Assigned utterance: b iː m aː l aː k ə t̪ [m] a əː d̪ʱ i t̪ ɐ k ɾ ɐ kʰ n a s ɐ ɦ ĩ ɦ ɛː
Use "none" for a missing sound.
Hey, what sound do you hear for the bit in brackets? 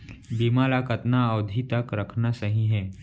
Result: n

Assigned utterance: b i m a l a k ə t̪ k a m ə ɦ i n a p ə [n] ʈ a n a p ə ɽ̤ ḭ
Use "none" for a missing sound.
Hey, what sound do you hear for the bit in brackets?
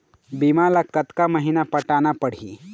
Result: none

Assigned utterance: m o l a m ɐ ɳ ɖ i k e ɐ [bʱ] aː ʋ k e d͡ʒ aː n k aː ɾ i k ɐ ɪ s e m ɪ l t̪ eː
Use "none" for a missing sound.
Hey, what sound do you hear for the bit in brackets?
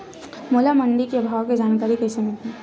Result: bʱ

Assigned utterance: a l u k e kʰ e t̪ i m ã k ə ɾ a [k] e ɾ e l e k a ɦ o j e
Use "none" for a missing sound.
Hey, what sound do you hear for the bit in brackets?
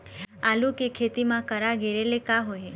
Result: ɡ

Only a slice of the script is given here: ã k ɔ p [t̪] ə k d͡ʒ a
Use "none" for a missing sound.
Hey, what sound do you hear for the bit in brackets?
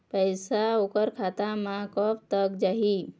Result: t̪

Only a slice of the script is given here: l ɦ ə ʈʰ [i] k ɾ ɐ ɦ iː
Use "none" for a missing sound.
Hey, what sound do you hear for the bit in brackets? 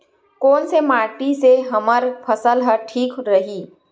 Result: iː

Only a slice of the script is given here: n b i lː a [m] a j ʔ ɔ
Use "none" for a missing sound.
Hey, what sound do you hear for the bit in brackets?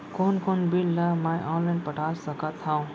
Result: m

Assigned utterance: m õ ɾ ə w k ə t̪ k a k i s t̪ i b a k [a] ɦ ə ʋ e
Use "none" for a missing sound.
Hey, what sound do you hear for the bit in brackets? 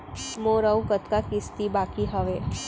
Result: i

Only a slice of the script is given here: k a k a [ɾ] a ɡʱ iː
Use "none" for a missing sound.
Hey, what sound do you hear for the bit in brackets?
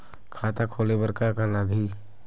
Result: l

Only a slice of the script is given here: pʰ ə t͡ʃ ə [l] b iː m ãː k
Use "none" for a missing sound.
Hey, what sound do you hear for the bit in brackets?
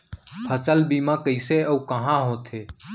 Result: l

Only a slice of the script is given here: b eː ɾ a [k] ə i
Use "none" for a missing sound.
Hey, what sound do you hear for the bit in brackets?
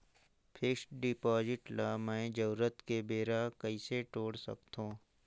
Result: k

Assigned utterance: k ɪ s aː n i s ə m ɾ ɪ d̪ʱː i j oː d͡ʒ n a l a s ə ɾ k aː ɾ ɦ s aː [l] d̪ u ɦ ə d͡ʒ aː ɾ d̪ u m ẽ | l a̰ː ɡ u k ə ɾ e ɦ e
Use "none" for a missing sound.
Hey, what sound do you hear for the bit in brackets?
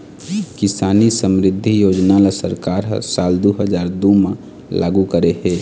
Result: l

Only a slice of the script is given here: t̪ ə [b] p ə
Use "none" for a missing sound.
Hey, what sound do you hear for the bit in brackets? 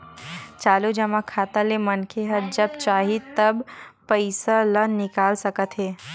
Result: b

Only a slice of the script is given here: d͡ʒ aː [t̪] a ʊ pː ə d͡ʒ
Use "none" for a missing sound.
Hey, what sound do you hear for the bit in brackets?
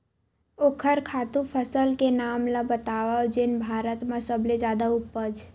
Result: d̪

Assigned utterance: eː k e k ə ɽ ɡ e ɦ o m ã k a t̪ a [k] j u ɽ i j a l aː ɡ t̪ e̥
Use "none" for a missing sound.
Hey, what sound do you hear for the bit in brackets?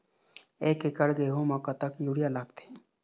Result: k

